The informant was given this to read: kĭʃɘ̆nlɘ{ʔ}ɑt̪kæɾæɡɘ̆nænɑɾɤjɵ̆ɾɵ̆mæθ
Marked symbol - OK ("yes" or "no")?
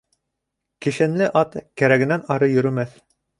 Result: yes